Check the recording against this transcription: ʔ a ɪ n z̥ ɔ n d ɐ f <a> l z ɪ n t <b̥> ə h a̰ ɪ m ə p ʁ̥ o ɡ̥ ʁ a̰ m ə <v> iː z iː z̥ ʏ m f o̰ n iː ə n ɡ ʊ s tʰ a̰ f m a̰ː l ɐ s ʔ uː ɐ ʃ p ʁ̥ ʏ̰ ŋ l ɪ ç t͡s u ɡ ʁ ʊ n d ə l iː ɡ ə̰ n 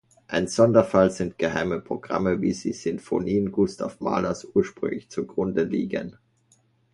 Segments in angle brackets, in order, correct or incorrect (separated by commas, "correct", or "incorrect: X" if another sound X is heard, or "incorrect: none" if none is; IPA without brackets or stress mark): correct, incorrect: ɡ̥, correct